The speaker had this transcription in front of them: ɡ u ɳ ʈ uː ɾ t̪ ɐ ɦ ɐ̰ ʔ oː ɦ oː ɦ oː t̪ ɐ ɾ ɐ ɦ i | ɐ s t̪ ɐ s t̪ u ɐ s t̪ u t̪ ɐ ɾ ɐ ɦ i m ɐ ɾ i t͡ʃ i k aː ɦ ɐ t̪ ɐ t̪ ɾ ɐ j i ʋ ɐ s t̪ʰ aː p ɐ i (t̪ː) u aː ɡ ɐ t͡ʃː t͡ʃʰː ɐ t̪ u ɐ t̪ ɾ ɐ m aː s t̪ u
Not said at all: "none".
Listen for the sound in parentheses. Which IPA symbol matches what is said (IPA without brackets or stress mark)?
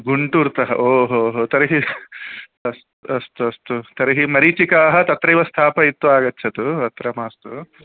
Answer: t̪ː